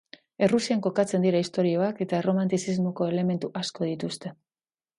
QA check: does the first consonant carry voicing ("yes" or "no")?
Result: yes